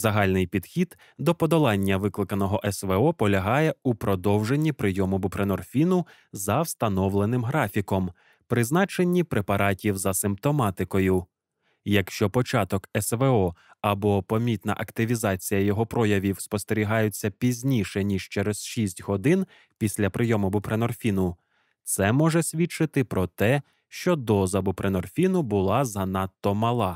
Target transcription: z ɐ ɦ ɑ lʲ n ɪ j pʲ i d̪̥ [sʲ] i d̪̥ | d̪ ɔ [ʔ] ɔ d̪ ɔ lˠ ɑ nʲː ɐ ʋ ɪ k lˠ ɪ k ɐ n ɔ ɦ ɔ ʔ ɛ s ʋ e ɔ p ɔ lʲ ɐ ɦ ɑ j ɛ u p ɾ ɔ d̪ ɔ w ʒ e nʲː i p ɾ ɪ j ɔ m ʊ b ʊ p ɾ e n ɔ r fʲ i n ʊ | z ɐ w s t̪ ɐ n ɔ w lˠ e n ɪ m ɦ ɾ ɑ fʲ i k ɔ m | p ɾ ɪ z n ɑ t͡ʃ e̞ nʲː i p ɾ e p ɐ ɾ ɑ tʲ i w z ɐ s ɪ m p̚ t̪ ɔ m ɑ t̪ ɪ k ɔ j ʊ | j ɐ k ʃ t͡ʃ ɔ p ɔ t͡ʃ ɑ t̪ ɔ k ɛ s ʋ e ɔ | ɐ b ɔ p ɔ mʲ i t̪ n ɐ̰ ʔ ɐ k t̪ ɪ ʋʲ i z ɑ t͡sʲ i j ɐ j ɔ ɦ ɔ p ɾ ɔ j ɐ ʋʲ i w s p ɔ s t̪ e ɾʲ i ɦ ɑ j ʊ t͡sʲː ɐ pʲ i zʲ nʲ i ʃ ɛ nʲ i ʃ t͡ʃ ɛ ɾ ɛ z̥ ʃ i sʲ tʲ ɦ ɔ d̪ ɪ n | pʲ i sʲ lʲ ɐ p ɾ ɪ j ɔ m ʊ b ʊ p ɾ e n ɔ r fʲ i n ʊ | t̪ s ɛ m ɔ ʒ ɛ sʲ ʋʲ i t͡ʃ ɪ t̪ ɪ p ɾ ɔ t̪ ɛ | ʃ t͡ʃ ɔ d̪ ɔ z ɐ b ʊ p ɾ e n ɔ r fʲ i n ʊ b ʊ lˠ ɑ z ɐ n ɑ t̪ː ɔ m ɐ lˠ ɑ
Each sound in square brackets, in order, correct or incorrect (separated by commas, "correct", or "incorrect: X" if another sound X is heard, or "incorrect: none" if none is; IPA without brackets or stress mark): incorrect: xʲ, incorrect: p